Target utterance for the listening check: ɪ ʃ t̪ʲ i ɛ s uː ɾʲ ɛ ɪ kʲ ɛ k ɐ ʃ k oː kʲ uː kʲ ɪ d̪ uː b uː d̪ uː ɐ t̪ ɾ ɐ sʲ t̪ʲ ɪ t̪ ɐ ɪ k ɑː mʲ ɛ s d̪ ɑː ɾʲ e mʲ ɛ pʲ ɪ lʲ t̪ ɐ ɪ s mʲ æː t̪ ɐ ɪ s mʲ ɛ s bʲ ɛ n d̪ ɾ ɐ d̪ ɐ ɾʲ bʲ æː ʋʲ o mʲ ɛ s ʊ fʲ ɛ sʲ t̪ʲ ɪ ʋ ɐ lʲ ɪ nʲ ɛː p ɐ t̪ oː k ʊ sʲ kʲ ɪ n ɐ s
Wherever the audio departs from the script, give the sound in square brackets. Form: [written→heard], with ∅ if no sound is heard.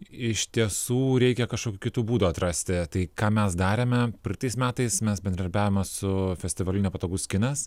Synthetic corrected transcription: ɪ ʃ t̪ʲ i ɛ s uː ɾʲ ɛ ɪ kʲ ɛ k ɐ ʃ k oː kʲ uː kʲ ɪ [d̪→t̪] uː b uː d̪ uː ɐ t̪ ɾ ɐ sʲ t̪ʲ ɪ t̪ ɐ ɪ k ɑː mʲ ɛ s d̪ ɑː ɾʲ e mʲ ɛ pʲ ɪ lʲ t̪ ɐ ɪ s mʲ æː t̪ ɐ ɪ s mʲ ɛ s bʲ ɛ n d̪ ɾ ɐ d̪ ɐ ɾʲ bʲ æː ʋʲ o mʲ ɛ s ʊ fʲ ɛ sʲ t̪ʲ ɪ ʋ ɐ lʲ ɪ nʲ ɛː p ɐ t̪ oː [k→ɡ] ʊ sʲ kʲ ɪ n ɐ s

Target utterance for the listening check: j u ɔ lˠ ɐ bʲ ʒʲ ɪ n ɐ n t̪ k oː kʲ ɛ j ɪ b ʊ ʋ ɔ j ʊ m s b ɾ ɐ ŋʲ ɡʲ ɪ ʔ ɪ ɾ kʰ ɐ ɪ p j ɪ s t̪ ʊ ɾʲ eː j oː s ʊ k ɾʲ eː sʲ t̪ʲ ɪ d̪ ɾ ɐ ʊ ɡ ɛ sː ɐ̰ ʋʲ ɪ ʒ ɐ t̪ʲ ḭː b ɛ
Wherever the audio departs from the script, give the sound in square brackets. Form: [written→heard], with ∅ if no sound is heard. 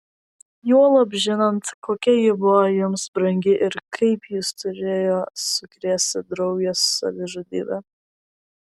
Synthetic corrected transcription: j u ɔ lˠ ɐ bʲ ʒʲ ɪ n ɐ n t̪ k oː kʲ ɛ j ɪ b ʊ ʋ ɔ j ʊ m s b ɾ ɐ ŋʲ ɡʲ ɪ ʔ ɪ ɾ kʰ ɐ ɪ p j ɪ s t̪ ʊ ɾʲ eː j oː s ʊ k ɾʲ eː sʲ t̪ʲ ɪ d̪ ɾ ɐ ʊ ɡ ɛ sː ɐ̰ ʋʲ ɪ ʒ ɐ [t̪ʲ→d̪ʲ] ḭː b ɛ

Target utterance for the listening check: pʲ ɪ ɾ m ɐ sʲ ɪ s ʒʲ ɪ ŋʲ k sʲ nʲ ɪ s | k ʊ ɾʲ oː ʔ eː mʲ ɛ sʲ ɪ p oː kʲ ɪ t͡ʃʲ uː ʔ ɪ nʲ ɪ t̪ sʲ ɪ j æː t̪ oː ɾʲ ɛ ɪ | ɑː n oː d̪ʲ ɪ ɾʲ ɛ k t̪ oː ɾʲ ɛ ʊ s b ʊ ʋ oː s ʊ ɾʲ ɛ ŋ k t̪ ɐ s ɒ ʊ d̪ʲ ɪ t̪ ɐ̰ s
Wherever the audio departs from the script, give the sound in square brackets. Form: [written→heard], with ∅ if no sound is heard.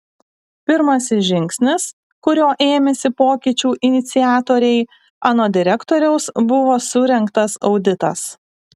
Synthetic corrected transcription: pʲ ɪ ɾ m ɐ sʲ ɪ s ʒʲ ɪ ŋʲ k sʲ nʲ ɪ s | k ʊ ɾʲ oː ʔ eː mʲ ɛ sʲ ɪ p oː kʲ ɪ t͡ʃʲ uː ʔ ɪ nʲ ɪ t̪ sʲ ɪ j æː t̪ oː ɾʲ ɛ ɪ | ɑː n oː d̪ʲ ɪ ɾʲ ɛ k t̪ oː ɾʲ ɛ ʊ s b ʊ ʋ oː s ʊ ɾʲ ɛ ŋ k t̪ ɐ s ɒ ʊ d̪ʲ ɪ t̪ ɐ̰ s

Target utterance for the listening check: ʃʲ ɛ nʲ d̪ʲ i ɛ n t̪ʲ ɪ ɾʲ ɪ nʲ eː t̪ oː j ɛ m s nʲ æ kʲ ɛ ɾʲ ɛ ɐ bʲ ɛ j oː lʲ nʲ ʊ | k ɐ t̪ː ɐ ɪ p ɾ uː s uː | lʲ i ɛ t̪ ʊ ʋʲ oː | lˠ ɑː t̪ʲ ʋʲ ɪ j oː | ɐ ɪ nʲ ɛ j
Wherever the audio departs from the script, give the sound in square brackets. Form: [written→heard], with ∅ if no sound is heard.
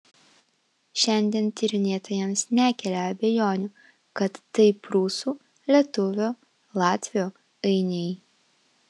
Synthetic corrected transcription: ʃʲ ɛ nʲ d̪ʲ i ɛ n t̪ʲ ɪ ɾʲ ɪ nʲ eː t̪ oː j ɛ m s nʲ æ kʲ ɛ [ɾʲ→lʲ] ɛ ɐ bʲ ɛ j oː [lʲ→∅] nʲ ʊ | k ɐ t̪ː ɐ ɪ p ɾ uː s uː | lʲ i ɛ t̪ ʊ ʋʲ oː | lˠ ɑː t̪ʲ ʋʲ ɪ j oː | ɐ ɪ nʲ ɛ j

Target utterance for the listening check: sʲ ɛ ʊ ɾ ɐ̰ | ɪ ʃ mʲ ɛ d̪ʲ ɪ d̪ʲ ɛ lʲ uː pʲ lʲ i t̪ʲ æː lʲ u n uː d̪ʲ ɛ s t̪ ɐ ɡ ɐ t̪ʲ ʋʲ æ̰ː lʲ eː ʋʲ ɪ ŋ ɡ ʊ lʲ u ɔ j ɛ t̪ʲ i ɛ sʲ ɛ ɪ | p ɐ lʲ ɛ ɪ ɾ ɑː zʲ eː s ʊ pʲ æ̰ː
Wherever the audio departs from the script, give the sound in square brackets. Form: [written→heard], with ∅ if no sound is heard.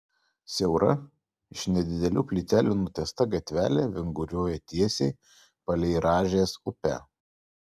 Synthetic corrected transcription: sʲ ɛ ʊ ɾ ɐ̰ | ɪ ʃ [mʲ→nʲ] ɛ d̪ʲ ɪ d̪ʲ ɛ lʲ uː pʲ lʲ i t̪ʲ æː lʲ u n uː [d̪ʲ→t̪ʲ] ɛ s t̪ ɐ ɡ ɐ t̪ʲ ʋʲ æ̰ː lʲ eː ʋʲ ɪ ŋ ɡ ʊ [lʲ→ɾʲ] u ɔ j ɛ t̪ʲ i ɛ sʲ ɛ ɪ | p ɐ lʲ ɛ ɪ ɾ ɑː [zʲ→ʒʲ] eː s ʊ pʲ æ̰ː

